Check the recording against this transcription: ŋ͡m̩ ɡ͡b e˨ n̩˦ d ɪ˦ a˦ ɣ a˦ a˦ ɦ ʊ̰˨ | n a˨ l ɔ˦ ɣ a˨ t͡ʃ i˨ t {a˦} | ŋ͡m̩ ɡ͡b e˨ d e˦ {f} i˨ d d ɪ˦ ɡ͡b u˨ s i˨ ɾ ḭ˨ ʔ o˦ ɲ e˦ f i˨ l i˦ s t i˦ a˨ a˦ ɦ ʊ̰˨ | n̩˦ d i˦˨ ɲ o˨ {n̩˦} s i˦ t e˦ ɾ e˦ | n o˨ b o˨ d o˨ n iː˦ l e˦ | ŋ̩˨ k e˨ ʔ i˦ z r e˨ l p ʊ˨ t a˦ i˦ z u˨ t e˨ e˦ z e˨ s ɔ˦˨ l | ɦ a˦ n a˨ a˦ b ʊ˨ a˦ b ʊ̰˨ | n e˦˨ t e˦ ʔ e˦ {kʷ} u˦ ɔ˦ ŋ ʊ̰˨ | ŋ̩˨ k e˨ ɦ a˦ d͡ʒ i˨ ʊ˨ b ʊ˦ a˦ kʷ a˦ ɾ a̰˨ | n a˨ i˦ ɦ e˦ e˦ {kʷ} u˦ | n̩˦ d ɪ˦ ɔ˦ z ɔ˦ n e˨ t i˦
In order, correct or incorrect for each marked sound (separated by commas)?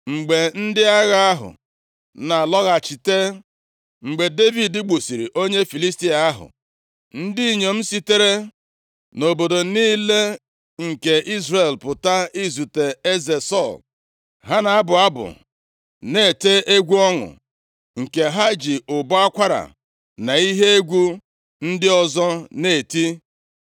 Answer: incorrect, incorrect, incorrect, incorrect, incorrect